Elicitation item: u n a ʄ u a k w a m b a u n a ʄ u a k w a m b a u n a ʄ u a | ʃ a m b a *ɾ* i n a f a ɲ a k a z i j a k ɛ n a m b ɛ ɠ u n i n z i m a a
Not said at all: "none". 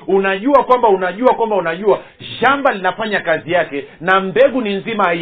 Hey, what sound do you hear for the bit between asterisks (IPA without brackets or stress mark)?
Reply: l